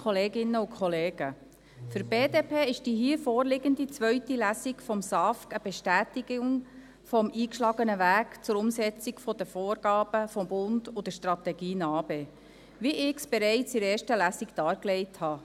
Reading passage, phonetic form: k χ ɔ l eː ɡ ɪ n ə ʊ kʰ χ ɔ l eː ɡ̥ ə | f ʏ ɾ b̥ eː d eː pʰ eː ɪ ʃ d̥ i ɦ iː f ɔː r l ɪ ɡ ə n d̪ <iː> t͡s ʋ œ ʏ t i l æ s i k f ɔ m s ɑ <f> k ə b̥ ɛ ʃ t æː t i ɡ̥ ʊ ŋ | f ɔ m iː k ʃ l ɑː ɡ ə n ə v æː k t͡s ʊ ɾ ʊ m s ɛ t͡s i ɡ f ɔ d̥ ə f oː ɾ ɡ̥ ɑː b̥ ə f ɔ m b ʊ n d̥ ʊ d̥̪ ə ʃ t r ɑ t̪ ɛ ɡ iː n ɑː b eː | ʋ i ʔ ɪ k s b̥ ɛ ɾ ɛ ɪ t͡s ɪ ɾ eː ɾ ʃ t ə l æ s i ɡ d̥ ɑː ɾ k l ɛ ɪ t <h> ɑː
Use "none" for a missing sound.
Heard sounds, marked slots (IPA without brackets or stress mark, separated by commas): i, f, h